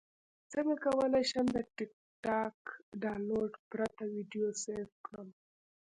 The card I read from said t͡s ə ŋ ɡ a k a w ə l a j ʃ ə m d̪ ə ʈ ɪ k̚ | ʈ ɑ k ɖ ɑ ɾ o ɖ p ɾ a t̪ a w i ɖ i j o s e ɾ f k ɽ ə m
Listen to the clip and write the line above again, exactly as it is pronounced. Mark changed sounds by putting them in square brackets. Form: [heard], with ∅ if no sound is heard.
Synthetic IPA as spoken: t͡s ə ŋ ɡ a k a w ə l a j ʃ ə m d̪ ə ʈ ɪ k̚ | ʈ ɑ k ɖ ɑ [l] o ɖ p ɾ a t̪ a w i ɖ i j o s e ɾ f k ɽ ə m